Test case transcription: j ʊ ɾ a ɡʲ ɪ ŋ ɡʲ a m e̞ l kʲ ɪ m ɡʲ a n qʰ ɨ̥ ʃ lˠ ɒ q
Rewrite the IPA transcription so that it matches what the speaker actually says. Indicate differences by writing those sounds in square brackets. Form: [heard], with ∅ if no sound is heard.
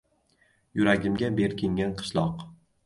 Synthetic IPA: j ʊ ɾ a ɡʲ ɪ [m] ɡʲ a [b] e̞ [ɾ] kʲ ɪ [ŋ] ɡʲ a n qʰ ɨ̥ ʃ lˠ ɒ q